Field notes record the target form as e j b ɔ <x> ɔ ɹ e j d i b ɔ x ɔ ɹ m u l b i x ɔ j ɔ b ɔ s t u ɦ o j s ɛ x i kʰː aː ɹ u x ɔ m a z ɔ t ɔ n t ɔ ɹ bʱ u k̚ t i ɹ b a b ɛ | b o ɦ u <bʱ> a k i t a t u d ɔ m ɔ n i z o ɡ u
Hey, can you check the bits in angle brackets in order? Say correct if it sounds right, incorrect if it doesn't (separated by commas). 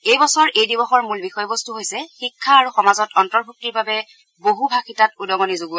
incorrect, correct